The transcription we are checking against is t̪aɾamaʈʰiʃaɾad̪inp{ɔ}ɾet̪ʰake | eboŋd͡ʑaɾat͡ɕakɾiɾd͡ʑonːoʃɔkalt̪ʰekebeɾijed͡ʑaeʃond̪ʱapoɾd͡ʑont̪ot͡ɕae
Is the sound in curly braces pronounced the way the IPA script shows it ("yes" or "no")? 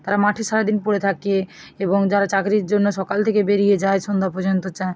no